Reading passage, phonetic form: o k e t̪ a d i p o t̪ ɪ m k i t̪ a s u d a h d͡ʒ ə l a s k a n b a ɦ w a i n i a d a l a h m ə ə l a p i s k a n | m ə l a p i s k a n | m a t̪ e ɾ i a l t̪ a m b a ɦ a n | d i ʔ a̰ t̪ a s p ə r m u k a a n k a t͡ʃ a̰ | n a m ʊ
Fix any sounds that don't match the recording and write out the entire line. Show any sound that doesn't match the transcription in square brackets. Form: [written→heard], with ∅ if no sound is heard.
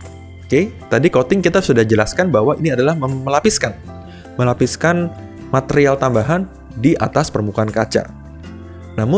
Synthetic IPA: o k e t̪ a d i [p→k] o t̪ ɪ [m→ŋ] k i t̪ a s u d a h d͡ʒ ə l a s k a n b a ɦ w a i n i a d a l a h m ə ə l a p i s k a n | m ə l a p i s k a n | m a t̪ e ɾ i a l t̪ a m b a ɦ a n | d i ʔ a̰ t̪ a s p ə r m u k a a n k a t͡ʃ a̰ | n a m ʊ